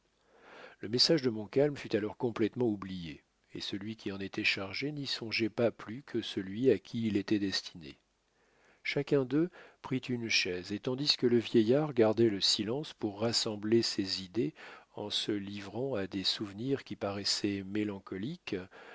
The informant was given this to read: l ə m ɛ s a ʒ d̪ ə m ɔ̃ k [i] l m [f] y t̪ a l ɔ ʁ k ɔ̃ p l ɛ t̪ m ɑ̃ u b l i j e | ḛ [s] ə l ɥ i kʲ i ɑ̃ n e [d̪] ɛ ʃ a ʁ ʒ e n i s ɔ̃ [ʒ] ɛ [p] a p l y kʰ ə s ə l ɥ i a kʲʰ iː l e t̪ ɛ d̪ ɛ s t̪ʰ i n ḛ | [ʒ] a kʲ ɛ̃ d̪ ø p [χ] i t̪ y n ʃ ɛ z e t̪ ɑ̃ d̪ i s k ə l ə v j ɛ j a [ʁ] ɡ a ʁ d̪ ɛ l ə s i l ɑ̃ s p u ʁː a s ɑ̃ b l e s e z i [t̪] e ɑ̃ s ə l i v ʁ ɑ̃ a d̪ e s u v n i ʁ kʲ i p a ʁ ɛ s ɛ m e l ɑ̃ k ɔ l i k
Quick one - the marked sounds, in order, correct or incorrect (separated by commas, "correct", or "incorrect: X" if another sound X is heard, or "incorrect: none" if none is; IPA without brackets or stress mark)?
incorrect: a, correct, correct, incorrect: t̪, correct, correct, incorrect: ʃ, correct, correct, incorrect: d̪